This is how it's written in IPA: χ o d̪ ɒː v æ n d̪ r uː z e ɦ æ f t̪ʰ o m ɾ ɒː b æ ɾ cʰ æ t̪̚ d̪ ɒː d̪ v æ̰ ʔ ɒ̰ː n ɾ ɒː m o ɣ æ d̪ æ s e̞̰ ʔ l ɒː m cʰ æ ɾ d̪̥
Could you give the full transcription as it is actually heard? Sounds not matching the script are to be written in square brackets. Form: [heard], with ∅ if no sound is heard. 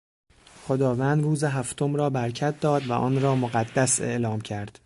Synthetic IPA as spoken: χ o d̪ ɒː v æ n d̪ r uː z e ɦ æ f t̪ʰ o m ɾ ɒː b æ ɾ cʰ æ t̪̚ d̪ ɒː d̪ v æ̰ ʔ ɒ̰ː n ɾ ɒː m o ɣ æ [d̪ː] æ s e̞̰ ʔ l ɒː m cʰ æ ɾ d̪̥